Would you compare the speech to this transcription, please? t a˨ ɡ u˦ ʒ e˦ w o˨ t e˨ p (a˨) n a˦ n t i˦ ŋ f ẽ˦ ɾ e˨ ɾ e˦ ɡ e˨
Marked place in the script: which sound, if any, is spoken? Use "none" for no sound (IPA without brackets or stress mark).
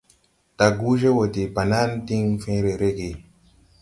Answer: a˨